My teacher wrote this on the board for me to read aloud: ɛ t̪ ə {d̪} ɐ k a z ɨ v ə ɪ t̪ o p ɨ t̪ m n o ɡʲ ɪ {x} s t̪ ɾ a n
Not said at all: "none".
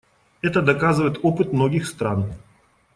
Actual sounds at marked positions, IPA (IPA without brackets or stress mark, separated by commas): d̪, x